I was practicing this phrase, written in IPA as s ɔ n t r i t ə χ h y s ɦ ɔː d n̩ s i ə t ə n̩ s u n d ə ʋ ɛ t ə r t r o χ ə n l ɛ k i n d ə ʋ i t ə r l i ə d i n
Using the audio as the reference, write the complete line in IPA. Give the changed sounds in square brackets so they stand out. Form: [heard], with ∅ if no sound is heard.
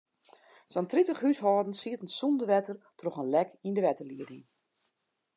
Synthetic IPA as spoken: s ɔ n t r i t ə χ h y s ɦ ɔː d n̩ s i ə t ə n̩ s u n d ə ʋ ɛ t ə r t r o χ ə n l ɛ k i n d ə ʋ [ɛ] t ə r l i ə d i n